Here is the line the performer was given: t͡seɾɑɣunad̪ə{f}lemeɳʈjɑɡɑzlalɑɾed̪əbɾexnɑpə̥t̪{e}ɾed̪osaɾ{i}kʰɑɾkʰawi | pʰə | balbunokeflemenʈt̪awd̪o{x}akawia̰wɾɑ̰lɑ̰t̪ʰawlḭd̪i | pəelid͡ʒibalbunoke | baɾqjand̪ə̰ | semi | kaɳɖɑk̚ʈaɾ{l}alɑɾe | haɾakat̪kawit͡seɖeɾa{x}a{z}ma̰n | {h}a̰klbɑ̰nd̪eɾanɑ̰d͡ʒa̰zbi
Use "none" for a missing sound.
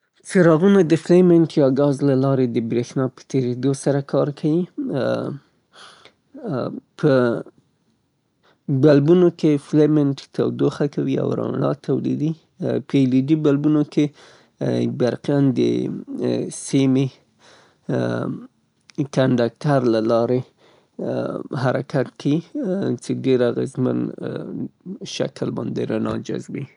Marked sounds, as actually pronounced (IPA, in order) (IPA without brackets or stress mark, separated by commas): f, e, a, x, l, ɣ, z, ʃ